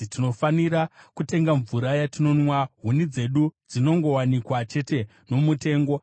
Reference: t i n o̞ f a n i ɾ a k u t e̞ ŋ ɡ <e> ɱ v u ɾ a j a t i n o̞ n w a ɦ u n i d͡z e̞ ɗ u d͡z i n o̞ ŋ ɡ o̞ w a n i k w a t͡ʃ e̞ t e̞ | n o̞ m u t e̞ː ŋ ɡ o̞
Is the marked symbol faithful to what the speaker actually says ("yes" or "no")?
no